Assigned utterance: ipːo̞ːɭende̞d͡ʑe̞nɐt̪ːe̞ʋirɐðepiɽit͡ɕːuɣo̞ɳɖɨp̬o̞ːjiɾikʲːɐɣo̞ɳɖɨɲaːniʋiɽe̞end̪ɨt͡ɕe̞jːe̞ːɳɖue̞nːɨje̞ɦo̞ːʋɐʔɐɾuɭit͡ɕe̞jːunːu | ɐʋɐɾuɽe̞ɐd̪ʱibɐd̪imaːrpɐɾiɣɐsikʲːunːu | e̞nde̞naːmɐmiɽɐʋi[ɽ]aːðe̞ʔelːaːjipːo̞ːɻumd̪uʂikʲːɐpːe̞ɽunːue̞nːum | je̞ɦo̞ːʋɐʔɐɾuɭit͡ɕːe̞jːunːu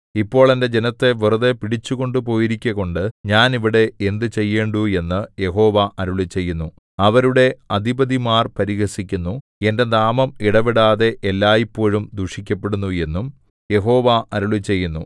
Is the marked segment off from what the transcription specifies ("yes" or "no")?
no